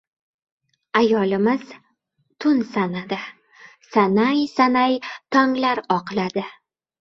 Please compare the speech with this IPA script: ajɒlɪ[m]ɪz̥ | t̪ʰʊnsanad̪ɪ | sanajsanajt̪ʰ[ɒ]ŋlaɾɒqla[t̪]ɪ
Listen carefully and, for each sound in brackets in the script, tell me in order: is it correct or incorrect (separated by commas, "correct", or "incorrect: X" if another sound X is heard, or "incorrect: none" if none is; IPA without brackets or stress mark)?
correct, correct, incorrect: d̪